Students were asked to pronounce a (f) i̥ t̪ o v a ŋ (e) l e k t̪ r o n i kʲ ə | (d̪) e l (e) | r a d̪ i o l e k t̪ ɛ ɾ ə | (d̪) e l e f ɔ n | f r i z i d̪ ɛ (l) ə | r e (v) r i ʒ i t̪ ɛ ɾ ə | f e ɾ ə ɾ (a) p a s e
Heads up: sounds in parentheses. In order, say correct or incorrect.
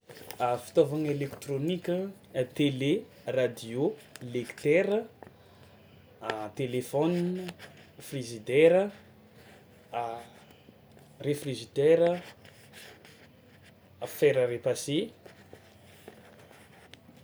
correct, correct, incorrect: t̪, correct, incorrect: t̪, incorrect: ɾ, incorrect: f, incorrect: e

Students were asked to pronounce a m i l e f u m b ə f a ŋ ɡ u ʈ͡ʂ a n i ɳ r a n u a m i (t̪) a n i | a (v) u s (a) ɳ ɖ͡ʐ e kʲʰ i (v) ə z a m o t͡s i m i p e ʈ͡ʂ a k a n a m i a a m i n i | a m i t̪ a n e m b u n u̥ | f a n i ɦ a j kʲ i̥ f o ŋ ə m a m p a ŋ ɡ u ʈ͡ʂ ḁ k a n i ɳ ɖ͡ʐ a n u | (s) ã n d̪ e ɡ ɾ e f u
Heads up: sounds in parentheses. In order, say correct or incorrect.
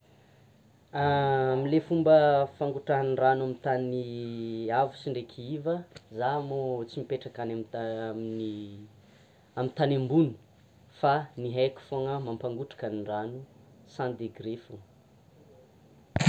correct, correct, incorrect: i, correct, correct

